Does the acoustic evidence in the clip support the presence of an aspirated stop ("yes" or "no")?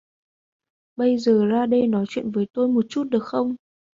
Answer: no